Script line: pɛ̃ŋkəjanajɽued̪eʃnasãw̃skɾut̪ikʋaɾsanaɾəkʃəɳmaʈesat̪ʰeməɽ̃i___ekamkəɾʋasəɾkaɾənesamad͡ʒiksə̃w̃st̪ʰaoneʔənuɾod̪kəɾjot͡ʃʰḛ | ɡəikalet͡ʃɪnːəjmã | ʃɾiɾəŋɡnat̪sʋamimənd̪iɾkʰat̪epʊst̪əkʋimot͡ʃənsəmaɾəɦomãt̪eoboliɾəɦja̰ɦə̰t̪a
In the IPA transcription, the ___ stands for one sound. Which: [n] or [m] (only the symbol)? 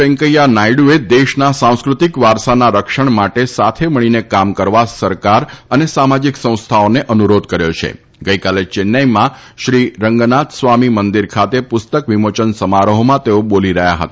n